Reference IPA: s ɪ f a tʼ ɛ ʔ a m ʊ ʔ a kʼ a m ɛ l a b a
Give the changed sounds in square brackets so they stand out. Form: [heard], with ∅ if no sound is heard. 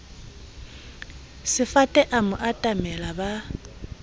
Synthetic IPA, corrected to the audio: s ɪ f a tʼ ɛ ʔ a m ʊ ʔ a [tʼ] a m ɛ l a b a